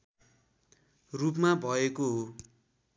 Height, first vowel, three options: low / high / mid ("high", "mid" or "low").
high